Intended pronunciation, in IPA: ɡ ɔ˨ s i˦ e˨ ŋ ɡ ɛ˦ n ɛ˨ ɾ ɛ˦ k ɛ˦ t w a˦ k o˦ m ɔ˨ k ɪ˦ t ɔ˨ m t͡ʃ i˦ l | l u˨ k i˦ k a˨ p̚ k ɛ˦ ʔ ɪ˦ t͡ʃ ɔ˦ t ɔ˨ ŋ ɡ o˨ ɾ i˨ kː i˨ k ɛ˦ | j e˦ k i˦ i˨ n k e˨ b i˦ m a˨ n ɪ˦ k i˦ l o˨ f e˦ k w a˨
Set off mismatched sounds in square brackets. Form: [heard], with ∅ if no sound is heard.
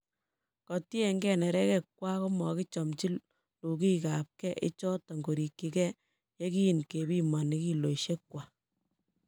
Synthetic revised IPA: [k] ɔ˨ [t] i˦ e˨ ŋ ɡ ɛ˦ n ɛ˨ ɾ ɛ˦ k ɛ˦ [k] w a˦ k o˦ m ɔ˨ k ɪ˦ [t͡ʃ] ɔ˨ m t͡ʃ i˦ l | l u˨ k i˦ k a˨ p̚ k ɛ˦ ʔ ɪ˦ t͡ʃ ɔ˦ t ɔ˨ ŋ ɡ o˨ ɾ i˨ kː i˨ k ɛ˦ | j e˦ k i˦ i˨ n k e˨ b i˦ m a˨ n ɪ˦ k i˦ l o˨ [ʃ] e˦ k w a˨